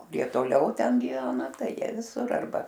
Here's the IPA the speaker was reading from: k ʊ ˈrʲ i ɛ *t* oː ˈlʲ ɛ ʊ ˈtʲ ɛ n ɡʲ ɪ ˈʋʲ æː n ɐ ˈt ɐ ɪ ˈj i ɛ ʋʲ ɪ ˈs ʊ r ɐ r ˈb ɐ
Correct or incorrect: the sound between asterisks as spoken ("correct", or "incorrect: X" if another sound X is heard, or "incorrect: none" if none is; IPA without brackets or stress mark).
correct